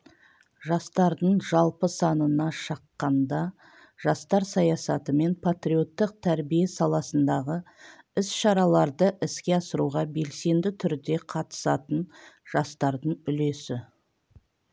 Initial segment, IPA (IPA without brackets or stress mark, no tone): ʒ